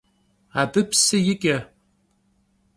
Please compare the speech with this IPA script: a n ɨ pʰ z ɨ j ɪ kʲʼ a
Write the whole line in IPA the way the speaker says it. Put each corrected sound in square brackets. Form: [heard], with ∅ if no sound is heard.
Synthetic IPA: a [d] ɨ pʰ [s] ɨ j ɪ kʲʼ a